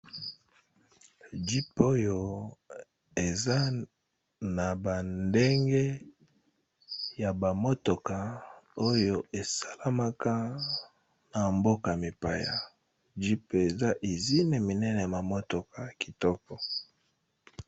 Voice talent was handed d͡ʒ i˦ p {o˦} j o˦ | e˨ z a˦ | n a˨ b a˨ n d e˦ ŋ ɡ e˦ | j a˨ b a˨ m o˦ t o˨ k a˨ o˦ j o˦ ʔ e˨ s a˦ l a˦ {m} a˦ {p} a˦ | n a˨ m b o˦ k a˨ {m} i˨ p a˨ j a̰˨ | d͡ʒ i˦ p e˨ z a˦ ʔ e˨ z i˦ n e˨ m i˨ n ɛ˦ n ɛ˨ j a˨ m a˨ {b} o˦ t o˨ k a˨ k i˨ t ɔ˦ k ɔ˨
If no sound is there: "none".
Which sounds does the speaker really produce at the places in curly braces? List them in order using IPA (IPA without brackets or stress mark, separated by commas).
o˦, m, k, m, m